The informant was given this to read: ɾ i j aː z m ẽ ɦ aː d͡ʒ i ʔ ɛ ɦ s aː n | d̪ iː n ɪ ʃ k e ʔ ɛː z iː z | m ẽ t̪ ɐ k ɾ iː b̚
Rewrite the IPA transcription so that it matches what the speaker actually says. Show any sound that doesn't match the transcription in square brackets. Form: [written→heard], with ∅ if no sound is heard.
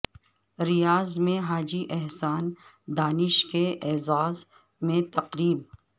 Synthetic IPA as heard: ɾ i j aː z m ẽ ɦ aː d͡ʒ i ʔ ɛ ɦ s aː n | d̪ [iː→aː] n ɪ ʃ k e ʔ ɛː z [iː→aː] z | m ẽ t̪ ɐ [k→q] ɾ iː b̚